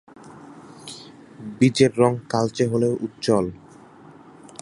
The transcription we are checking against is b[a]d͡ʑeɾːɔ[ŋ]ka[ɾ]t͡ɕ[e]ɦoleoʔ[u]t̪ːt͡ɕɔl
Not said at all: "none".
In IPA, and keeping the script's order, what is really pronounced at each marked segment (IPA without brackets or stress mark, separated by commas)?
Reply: i, ŋ, l, e, u